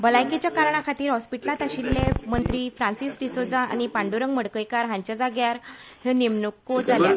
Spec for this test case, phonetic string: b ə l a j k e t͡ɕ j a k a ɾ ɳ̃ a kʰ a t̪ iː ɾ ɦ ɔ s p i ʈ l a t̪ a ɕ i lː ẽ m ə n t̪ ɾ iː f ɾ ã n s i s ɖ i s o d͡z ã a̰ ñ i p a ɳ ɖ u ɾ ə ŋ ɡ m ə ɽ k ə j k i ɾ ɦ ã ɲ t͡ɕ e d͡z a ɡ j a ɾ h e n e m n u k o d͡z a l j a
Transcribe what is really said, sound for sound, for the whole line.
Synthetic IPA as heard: b ə l a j k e t͡ɕ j a k a ɾ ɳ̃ a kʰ a t̪ iː ɾ ɦ ɔ s p i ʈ l a t̪ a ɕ i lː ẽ m ə n t̪ ɾ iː f ɾ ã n s i s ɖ i s o d͡z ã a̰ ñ i p a ɳ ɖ u ɾ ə ŋ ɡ m ə ɽ k ə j k a ɾ ɦ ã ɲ t͡ɕ a d͡z a ɡ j a ɾ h e n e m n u k o d͡z a l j a

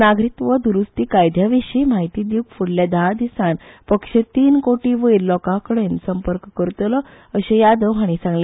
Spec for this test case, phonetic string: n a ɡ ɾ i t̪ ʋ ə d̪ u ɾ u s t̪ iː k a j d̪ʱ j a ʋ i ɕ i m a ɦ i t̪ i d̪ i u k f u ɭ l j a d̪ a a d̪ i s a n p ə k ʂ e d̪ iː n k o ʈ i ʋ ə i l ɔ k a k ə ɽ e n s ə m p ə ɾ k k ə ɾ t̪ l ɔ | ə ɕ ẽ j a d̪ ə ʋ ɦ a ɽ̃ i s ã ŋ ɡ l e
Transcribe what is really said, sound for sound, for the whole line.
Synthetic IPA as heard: n a ɡ ɾ i t̪ ʋ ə d̪ u ɾ u s t̪ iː k a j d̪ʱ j a ʋ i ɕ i m a ɦ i t̪ i d̪ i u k f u ɽ l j a d̪ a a d̪ i s a n p ə k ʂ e t̪ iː n k o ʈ i ʋ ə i l ɔ k a k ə ɽ e n s ə m p ə ɾ k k ə ɾ t̪ l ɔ | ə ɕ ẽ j a d̪ ə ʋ ɦ a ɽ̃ i s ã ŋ ɡ l e

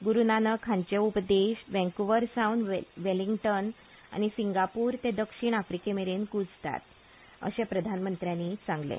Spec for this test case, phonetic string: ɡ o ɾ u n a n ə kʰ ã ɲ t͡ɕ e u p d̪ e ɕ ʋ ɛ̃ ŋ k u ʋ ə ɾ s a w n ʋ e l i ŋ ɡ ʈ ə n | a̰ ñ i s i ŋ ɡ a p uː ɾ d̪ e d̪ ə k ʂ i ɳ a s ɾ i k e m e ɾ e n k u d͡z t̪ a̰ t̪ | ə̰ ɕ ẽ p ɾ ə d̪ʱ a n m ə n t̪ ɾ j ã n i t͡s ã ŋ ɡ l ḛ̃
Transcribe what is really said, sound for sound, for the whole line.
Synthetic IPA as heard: ɡ u ɾ u n a n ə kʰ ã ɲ t͡ɕ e u p d̪ e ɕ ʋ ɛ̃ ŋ k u ʋ ə ɾ s a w n ʋ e l i ŋ ɡ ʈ ə n | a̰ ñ i s i ŋ ɡ a p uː ɾ t̪ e d̪ ə k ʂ i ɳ a f ɾ i k e m e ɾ e n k u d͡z t̪ a̰ t̪ | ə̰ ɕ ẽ p ɾ ə d̪ʱ a n m ə n t̪ ɾ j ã n i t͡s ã ŋ ɡ l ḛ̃

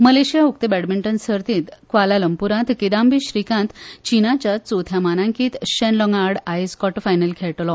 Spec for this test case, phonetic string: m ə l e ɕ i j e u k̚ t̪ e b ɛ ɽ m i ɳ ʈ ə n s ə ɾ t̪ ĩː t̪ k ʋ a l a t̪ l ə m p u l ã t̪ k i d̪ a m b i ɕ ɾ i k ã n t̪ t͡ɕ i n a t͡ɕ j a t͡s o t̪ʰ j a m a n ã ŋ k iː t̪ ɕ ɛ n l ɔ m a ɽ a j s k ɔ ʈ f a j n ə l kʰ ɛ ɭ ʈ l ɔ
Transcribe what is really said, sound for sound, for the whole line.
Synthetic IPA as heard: m ə l e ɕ i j a u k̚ t̪ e b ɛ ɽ m i ɳ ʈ ə n s ə ɾ t̪ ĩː t̪ k ʋ a l a l ə m p u ɾ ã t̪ k i d̪ a m b i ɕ ɾ i k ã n t̪ t͡ɕ i n a t͡ɕ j a t͡s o t̪ʰ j a m a n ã ŋ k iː t̪ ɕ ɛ n l ɔ ŋ a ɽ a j s k ɔ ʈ f a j n ə l kʰ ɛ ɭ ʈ l ɔ

